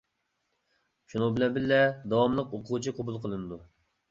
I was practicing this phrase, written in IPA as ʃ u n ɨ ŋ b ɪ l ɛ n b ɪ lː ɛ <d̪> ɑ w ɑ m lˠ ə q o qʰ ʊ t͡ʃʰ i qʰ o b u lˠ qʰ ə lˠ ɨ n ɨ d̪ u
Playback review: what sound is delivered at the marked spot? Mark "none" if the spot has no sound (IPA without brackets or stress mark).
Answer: d̪